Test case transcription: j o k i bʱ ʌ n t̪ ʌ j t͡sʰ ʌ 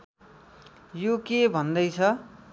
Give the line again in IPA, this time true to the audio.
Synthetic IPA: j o k e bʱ ʌ n d̪ ʌ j t͡sʰ ʌ